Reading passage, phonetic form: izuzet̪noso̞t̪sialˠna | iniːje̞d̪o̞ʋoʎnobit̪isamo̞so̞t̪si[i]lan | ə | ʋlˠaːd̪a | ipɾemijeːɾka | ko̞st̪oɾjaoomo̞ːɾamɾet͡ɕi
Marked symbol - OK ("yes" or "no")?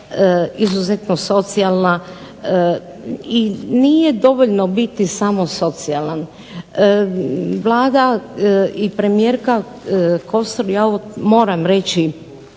no